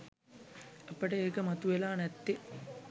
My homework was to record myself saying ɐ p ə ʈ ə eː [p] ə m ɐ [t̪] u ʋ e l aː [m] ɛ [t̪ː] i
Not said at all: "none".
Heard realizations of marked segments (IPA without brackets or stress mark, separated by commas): k, t̪, n, t̪ː